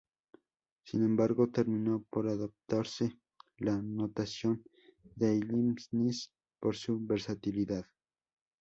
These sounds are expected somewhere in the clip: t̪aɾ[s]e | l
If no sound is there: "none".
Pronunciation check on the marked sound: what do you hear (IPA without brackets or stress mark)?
s